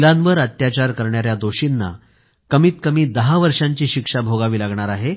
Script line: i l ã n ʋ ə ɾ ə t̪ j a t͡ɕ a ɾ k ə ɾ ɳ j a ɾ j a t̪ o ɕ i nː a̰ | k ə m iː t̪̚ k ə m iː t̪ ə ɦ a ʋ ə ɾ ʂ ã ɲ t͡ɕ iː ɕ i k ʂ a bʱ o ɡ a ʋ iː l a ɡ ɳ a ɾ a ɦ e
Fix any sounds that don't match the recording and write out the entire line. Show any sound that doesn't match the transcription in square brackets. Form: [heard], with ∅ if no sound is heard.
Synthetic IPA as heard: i l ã n ʋ ə ɾ ə t̪ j a t͡ɕ a ɾ k ə ɾ ɳ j a ɾ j a [d̪] o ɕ i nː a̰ | k ə m iː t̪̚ k ə m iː [d̪] ə ɦ a ʋ ə ɾ ʂ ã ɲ t͡ɕ iː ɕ i k ʂ a bʱ o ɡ a ʋ iː l a ɡ ɳ a ɾ a ɦ e